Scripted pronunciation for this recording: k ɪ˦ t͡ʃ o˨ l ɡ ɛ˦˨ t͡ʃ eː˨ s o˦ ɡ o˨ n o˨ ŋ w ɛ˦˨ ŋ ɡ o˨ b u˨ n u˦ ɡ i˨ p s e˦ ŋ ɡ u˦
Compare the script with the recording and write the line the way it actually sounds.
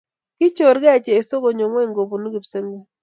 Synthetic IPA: k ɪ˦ t͡ʃ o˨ ɾ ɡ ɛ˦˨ t͡ʃ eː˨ s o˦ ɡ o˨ ɲ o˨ ŋ w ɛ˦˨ ŋ ɡ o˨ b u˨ n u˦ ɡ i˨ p s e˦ ŋ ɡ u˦